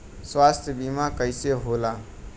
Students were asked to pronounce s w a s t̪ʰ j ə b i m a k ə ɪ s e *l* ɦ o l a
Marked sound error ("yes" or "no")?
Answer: yes